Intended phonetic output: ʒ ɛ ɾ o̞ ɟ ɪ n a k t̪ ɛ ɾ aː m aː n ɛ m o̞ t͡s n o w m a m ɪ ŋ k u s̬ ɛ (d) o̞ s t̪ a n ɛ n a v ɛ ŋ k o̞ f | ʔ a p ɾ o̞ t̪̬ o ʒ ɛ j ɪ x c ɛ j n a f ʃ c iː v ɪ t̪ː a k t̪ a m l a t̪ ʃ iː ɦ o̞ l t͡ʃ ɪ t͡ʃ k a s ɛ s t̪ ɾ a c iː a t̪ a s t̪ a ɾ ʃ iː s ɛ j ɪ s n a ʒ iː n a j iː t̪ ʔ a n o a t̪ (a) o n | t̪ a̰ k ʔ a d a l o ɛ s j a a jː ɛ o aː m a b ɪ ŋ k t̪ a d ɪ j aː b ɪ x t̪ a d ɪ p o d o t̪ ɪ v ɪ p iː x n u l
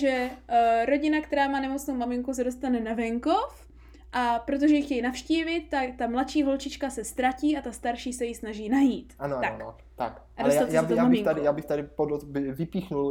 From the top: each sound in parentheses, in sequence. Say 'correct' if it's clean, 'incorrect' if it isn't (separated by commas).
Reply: correct, correct